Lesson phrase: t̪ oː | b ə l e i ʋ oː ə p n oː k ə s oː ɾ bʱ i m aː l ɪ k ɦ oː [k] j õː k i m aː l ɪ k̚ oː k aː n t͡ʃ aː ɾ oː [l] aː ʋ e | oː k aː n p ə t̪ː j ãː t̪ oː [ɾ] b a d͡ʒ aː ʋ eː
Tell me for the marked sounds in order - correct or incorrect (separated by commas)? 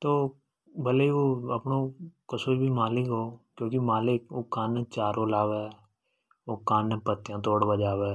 correct, correct, incorrect